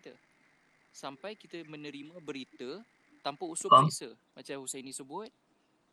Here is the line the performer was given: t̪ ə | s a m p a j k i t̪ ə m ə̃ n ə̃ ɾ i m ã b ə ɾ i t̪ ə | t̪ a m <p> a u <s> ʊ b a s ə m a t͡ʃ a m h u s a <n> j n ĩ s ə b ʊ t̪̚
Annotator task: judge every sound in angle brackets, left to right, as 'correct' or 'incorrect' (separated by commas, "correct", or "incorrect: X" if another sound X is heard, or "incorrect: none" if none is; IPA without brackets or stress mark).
correct, correct, incorrect: none